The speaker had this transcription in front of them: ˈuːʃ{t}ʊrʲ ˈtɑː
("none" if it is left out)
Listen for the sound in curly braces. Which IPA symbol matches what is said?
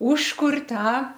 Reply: k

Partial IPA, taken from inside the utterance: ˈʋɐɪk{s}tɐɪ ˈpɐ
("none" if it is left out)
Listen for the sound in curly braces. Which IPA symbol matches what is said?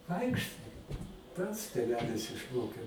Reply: ʃ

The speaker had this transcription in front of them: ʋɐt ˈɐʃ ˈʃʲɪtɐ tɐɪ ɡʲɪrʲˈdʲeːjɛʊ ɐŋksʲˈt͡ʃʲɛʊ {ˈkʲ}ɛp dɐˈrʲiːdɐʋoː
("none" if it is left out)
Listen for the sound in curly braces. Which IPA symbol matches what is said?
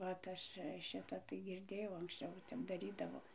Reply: tʲ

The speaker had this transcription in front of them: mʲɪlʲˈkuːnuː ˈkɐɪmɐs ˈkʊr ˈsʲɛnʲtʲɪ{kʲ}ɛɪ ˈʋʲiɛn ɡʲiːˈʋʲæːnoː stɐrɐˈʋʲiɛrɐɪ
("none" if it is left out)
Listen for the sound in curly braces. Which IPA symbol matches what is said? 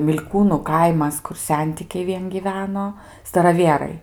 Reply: kʲ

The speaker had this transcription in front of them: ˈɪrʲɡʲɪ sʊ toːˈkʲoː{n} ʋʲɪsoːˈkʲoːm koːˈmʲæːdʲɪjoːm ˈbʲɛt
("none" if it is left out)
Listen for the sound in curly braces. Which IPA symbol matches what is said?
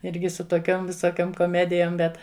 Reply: m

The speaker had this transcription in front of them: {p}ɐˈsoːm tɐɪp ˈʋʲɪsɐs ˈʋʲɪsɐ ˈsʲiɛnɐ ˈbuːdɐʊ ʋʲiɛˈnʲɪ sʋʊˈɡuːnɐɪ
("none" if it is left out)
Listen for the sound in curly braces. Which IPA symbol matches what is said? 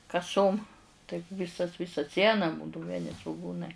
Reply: k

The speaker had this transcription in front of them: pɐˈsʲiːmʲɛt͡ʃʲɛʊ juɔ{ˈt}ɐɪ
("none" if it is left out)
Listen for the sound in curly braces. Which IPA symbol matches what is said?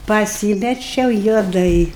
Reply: d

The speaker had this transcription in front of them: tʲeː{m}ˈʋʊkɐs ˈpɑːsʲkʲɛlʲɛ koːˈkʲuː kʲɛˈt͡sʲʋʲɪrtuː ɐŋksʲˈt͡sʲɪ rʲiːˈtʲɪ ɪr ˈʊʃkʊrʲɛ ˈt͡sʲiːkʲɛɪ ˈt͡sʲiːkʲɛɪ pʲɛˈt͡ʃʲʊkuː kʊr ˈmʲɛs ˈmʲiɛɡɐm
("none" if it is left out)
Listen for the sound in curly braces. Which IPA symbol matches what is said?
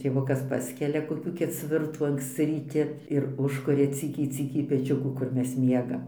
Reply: none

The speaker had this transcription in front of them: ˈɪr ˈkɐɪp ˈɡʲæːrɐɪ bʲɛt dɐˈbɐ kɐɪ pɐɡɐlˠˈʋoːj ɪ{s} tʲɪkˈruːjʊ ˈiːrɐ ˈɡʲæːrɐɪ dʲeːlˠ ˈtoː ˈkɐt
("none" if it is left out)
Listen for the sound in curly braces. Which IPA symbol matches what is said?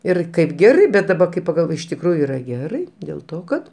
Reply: ʃ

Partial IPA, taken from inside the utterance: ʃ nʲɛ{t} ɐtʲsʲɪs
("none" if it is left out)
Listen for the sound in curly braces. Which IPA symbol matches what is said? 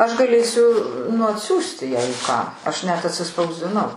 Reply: t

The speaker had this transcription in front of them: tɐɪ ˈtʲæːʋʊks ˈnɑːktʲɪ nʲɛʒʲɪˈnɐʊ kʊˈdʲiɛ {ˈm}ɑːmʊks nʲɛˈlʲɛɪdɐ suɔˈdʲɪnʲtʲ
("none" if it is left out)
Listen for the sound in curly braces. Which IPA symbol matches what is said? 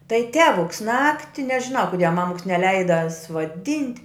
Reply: m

